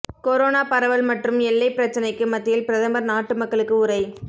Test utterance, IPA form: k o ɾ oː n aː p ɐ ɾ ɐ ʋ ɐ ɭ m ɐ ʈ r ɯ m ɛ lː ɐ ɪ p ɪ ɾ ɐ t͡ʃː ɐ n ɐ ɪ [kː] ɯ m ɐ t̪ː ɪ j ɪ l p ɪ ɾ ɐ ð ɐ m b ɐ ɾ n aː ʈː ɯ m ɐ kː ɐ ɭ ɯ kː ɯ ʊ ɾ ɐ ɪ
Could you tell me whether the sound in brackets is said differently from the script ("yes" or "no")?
no